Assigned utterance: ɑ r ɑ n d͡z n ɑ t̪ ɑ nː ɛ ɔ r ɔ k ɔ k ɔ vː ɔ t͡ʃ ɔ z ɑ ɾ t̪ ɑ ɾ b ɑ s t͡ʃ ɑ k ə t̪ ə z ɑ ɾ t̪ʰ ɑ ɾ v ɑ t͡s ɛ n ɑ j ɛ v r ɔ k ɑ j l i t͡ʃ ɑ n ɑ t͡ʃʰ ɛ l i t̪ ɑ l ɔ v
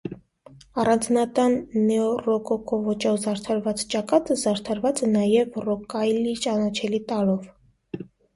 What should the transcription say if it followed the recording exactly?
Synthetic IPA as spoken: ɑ r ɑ n d͡z n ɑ t̪ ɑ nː ɛ ɔ r ɔ k ɔ k ɔ v ɔ t͡ʃ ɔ z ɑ ɾ t̪ʰ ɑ ɾ v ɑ t͡s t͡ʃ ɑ k ɑ t̪ ə z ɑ ɾ t̪ʰ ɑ ɾ v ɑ t͡s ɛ n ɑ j ɛ v r ɔ k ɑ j l i t͡ʃ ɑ n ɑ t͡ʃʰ ɛ l i t̪ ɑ l ɔ v

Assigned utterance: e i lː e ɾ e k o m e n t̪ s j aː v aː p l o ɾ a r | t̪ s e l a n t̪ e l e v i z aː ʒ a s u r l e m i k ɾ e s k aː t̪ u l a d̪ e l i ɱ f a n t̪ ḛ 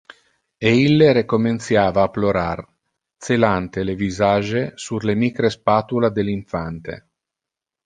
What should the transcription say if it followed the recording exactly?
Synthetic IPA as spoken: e i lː e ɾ e k o m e n t̪ s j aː v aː p l o ɾ a r | t̪ s e l a n t̪ e l e v i z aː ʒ e s u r l e m i k ɾ e s p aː t̪ u l a d̪ e l i ɱ f a n t̪ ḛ

